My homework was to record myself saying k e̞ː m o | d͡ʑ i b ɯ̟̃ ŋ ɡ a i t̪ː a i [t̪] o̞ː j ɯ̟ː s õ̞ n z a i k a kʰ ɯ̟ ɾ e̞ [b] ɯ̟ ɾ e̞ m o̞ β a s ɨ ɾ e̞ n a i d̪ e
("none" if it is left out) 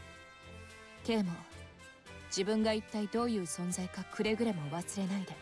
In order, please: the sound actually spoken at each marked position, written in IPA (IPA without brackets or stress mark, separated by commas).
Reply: d̪, ɡ